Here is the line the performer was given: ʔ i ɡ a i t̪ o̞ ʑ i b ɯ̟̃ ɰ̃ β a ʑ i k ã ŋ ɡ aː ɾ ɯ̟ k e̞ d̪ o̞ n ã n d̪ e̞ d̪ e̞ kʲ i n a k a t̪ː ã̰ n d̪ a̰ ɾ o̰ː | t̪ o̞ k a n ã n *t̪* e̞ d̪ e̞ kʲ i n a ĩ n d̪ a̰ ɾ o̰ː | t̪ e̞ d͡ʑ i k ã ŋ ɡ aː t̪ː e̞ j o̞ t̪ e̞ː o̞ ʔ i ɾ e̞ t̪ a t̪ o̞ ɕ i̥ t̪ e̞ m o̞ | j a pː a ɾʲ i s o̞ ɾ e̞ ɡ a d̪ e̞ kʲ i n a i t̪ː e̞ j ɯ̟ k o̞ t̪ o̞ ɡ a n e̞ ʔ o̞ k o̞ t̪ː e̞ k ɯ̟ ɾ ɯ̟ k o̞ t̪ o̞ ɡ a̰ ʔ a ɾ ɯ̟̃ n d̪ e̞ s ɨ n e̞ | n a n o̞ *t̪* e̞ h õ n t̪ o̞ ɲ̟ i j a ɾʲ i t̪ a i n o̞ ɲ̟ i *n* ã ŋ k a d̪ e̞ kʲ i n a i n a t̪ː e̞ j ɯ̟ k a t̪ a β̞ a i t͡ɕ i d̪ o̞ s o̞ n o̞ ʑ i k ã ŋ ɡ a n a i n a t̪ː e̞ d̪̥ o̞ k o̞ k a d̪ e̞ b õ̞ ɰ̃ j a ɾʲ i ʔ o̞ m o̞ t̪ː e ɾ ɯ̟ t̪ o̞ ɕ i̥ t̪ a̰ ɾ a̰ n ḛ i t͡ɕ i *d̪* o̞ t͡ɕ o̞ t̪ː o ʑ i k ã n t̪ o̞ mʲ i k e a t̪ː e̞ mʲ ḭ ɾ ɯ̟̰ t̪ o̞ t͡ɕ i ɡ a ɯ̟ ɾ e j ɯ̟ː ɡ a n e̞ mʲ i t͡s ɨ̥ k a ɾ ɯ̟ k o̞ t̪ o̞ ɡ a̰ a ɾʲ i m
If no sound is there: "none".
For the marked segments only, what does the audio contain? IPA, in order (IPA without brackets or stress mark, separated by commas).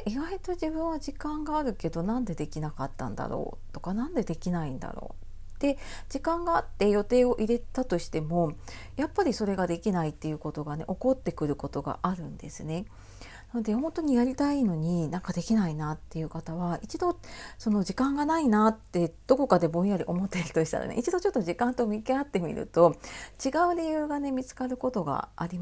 d̪, d̪, n, d̪